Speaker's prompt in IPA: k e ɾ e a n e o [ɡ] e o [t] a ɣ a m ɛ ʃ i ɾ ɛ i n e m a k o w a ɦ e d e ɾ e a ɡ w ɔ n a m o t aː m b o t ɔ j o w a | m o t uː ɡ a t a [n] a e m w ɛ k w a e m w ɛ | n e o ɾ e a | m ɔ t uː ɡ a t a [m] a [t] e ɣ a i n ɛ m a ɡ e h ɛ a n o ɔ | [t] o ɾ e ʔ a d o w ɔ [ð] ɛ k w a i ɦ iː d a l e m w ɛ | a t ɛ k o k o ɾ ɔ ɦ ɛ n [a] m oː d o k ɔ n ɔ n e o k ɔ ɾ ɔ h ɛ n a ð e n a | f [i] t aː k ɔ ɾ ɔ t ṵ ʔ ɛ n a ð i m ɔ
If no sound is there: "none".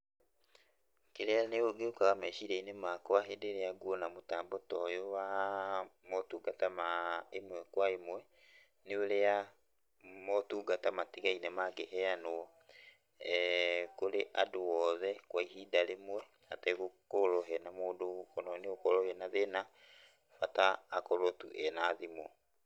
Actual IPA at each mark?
ɡ, k, m, m, t, k, ð, a, a

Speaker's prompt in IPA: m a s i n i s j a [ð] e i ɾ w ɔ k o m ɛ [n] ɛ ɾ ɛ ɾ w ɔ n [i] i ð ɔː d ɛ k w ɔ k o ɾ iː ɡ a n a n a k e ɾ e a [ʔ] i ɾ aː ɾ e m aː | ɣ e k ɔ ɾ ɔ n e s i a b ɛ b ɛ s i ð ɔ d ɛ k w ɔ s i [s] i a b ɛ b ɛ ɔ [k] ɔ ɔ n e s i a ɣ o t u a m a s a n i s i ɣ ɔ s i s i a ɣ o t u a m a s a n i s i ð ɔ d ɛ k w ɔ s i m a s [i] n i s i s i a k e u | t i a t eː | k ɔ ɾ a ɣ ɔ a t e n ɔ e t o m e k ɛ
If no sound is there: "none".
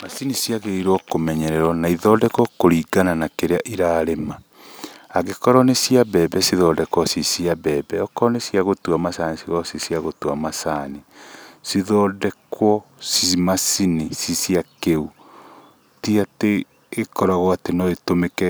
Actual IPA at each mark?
ɣ, ɲ, a, ʔ, s, k, i

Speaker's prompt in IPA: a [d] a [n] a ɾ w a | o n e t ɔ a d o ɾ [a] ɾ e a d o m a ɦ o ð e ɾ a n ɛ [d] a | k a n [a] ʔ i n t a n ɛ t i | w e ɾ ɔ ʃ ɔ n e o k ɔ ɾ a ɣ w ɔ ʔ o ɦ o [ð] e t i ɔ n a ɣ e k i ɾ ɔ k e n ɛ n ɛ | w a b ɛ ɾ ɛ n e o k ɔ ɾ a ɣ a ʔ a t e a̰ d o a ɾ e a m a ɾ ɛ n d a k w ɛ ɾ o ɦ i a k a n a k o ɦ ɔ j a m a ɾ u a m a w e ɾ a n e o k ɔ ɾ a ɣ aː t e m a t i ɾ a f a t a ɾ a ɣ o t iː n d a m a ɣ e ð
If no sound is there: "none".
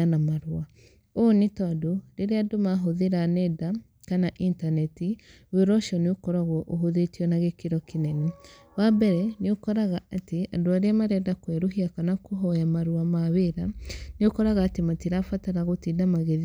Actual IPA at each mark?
n, m, e, d, a, ð

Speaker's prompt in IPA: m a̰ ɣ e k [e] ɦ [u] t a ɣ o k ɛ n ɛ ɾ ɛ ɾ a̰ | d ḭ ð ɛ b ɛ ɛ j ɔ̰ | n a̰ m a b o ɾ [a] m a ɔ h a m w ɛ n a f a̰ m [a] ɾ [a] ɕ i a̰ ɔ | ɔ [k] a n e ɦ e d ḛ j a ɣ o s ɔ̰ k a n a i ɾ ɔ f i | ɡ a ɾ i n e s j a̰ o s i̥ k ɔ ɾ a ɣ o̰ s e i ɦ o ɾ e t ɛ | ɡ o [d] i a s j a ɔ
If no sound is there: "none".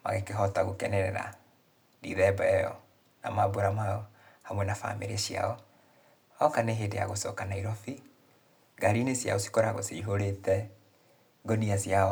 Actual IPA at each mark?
e, ɔ, a, e, e, k, n

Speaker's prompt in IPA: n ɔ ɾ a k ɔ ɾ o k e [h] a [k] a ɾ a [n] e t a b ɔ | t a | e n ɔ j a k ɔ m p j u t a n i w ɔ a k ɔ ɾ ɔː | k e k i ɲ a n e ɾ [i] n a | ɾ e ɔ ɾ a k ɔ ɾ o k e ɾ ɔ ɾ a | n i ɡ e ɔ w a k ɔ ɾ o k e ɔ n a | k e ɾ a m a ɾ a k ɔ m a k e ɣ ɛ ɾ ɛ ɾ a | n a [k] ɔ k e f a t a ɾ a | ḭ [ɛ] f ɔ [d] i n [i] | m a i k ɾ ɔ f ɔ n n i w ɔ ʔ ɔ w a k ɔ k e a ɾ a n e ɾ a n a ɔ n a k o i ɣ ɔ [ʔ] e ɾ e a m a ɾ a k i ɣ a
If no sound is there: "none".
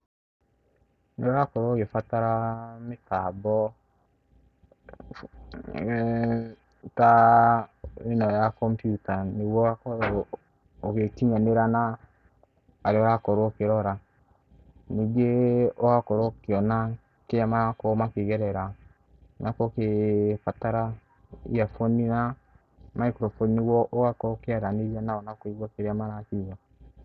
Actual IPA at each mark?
f, t, m, a, k, a, n, a, k

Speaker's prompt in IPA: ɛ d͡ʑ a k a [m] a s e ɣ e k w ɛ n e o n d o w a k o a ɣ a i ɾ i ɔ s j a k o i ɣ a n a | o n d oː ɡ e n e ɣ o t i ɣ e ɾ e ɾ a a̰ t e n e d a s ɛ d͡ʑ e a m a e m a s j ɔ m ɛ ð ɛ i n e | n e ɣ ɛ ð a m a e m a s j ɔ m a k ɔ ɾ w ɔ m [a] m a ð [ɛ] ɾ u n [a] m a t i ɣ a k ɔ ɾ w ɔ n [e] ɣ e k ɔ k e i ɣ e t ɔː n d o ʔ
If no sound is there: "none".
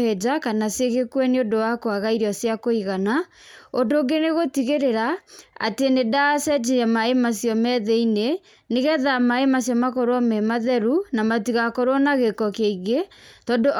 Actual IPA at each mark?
n, ɛ, ɛ, a, a

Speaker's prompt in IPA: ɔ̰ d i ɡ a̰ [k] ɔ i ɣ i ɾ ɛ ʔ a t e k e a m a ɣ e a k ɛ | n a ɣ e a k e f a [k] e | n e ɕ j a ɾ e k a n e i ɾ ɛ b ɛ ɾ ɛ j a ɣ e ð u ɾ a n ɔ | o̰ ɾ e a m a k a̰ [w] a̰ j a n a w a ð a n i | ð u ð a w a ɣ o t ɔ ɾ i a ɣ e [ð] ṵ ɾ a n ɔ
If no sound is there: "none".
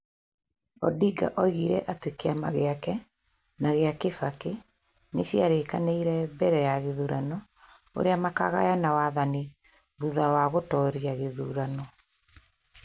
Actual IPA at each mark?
ʔ, k, ɣ, ð

